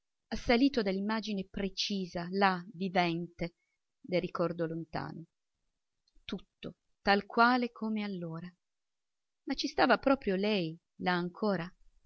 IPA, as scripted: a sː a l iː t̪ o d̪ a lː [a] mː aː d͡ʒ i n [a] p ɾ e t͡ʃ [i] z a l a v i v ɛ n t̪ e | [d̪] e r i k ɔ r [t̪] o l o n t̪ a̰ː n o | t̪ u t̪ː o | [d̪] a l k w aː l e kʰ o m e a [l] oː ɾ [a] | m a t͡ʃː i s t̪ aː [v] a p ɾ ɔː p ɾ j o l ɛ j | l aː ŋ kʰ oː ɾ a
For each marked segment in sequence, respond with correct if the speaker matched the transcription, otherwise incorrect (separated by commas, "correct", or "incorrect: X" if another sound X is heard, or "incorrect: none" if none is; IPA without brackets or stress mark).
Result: incorrect: i, incorrect: e, incorrect: iː, correct, incorrect: d̪, incorrect: t̪, incorrect: lː, correct, correct